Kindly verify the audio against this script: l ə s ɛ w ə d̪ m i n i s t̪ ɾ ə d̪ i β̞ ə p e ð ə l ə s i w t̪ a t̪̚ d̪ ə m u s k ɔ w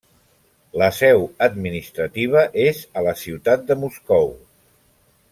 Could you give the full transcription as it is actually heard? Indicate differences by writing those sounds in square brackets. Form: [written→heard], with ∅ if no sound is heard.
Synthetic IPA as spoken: l ə s ɛ w ə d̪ m i n i s t̪ ɾ ə [d̪→t̪] i β̞ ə [p→ʔ] e [ð→z] ə l ə s i w t̪ a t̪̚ d̪ ə m u s k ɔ w

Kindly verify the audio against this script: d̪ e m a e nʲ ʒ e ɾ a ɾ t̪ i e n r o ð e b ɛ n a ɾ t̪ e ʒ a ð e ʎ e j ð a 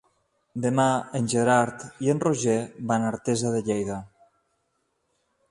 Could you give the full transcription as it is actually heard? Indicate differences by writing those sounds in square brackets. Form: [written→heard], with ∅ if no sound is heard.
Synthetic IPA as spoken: d̪ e m a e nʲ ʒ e ɾ a ɾ t̪ i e n r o [ð→ʒ] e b [ɛ→a] n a ɾ t̪ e [ʒ→z] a ð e ʎ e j ð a

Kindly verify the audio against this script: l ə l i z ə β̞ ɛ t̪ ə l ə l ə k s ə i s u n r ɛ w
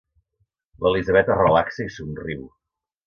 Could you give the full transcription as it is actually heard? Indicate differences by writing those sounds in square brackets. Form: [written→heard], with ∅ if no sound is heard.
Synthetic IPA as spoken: l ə l i z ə β̞ ɛ t̪ ə [l→r] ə l [ə→a] k s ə i s u n r [ɛ→i] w

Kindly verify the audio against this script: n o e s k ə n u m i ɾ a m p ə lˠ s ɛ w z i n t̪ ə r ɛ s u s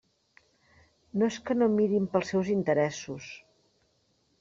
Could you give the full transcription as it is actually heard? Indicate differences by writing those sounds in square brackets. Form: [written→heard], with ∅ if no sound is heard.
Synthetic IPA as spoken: n o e s k ə n [u→o] m i ɾ [a→i] m p ə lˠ s ɛ w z i n t̪ ə [r→ɾ] ɛ s u s

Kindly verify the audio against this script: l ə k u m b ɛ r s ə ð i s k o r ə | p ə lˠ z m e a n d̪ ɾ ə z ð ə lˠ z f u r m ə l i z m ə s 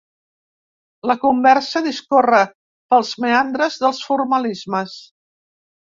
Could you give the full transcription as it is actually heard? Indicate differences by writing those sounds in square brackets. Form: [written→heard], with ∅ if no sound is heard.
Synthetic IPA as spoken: l ə k u m b ɛ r s ə ð i s k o r ə | p ə lˠ z m e a n d̪ ɾ ə z ð ə lˠ [z→s] f u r m ə l i z m ə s

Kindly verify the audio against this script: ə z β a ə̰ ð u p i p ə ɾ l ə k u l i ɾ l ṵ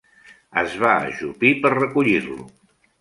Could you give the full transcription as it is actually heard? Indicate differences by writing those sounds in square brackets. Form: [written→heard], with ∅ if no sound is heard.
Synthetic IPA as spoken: ə z β a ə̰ [ð→ʒ] u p i p ə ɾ [l→r] ə k u [l→ʎ] i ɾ l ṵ

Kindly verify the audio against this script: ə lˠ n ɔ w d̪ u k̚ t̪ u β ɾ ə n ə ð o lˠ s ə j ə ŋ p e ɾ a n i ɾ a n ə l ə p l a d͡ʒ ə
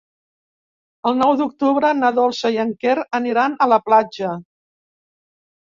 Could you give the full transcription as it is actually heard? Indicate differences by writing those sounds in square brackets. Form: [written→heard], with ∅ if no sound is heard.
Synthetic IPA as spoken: ə lˠ n ɔ w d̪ u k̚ t̪ u β ɾ ə n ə ð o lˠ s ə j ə ŋ [p→k] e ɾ [a→ə] n i ɾ a n ə l ə p l a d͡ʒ ə

